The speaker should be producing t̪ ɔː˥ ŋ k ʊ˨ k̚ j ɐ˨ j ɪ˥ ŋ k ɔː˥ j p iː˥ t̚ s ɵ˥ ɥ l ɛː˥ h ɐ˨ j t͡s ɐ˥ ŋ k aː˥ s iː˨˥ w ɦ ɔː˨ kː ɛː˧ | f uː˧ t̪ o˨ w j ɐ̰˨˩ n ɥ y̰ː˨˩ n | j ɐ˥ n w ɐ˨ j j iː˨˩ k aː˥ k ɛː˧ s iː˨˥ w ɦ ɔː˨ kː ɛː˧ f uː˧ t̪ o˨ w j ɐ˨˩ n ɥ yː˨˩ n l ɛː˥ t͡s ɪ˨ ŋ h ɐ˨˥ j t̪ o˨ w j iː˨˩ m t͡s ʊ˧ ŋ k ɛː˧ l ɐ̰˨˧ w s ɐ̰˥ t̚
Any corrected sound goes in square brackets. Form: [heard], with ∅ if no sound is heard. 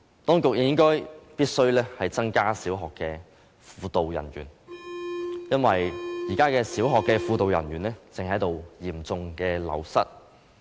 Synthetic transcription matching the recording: t̪ ɔː˥ ŋ k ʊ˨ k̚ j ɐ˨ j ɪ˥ ŋ k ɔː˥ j p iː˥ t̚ s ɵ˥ ɥ l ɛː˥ h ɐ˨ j t͡s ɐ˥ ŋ k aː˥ s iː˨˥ w ɦ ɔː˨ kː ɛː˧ | f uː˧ t̪ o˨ w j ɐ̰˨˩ n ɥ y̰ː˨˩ n | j ɐ˥ n w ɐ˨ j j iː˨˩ k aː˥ k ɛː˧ s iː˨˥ w ɦ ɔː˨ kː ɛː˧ f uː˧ t̪ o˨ w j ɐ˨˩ n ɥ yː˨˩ n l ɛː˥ t͡s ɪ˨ ŋ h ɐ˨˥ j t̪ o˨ w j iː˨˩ m t͡s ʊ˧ ŋ k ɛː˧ l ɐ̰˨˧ w s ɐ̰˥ t̚